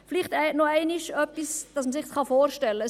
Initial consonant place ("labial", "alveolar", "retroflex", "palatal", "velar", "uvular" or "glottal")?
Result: labial